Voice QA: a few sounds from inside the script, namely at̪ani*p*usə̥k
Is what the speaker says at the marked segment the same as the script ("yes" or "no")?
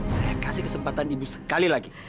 no